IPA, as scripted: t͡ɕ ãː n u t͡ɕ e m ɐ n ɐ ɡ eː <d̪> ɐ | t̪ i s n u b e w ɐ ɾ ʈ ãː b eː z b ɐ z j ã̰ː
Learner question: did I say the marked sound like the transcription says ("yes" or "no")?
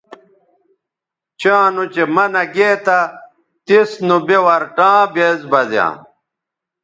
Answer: no